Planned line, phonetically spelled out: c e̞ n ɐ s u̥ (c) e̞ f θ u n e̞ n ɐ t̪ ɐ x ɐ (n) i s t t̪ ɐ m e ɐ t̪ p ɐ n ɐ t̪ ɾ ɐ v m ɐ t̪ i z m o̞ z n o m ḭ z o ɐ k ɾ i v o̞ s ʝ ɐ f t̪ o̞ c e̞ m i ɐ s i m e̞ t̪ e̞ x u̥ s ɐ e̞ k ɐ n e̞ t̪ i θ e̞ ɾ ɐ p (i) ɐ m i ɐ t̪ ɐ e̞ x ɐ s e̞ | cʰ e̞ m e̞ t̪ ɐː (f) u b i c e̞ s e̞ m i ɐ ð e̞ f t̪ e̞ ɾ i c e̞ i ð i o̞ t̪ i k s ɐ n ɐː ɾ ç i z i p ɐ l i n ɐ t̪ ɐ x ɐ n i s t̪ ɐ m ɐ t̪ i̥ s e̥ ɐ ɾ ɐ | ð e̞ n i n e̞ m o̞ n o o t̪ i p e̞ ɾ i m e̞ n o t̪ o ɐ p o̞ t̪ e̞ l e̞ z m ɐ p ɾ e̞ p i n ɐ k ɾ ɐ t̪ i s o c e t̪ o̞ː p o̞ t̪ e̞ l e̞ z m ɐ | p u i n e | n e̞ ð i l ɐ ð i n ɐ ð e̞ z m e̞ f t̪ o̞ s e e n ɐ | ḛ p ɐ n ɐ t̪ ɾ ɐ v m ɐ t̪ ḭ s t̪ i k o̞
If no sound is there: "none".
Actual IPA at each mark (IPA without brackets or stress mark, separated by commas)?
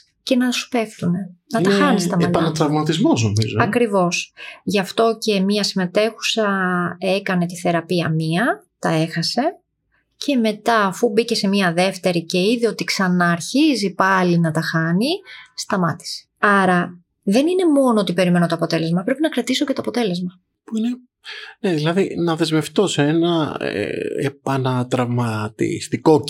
p, n, i, f